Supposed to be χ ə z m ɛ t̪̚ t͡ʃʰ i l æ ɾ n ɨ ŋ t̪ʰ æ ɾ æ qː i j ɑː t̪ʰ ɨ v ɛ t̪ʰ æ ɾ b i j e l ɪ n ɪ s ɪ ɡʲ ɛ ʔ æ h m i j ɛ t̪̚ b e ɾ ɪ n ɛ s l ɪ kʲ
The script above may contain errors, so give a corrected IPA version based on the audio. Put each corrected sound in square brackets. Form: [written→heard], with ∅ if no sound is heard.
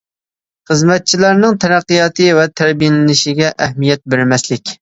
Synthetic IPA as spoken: χ ə z m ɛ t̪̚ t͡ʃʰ i l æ ɾ n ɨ ŋ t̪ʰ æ ɾ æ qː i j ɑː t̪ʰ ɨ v ɛ t̪ʰ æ ɾ b i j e l ɪ n ɪ [s→ʃ] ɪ ɡʲ ɛ ʔ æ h m i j ɛ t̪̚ b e ɾ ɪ [n→m] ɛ s l ɪ kʲ